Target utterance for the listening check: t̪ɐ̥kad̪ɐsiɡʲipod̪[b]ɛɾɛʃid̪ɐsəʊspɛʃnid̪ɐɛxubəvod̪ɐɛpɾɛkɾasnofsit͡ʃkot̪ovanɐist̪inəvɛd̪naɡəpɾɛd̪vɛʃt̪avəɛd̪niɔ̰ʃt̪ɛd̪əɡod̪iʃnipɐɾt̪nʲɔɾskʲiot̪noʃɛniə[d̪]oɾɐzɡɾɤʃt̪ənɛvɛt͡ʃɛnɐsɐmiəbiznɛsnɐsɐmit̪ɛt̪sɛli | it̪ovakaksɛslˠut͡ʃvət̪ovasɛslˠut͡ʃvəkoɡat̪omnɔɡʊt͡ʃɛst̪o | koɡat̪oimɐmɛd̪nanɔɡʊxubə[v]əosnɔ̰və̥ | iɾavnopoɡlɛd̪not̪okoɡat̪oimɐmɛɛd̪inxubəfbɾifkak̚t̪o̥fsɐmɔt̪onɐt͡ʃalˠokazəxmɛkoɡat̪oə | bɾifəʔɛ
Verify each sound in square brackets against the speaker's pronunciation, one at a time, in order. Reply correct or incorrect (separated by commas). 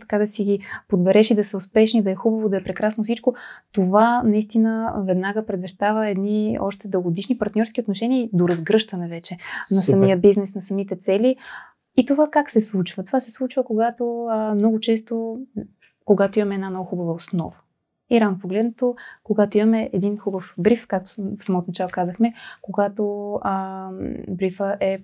correct, correct, correct